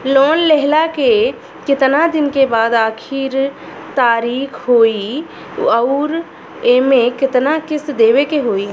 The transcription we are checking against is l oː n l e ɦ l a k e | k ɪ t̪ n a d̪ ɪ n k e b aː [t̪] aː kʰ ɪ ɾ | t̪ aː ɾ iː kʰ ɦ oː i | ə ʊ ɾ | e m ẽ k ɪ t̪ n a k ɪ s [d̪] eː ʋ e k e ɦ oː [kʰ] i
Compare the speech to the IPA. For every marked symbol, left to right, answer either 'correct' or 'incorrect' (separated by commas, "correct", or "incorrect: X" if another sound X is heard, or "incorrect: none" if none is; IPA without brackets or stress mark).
incorrect: d̪, correct, incorrect: none